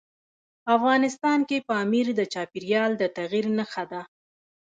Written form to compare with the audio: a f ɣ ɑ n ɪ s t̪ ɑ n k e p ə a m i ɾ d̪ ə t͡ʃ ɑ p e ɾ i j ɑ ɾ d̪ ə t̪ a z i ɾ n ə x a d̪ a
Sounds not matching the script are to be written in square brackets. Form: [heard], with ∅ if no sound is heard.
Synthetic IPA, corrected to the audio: a f ɣ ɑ n ɪ s t̪ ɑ n k e p ə a m i ɾ d̪ ə t͡ʃ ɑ p [i] ɾ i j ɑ [l] d̪ ə t̪ a [ɣ] i ɾ n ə x a d̪ a